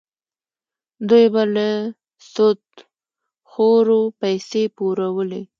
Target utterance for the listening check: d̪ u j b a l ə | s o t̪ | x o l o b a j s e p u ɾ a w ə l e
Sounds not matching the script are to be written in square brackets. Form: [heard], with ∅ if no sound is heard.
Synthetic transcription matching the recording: d̪ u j b a l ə | s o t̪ | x o [ɾ] o [p] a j s e p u ɾ a w ə l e